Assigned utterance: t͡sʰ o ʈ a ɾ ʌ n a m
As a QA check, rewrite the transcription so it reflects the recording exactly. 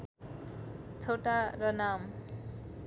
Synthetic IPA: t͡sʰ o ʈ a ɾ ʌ n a m